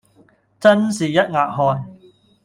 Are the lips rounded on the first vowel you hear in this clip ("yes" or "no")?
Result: no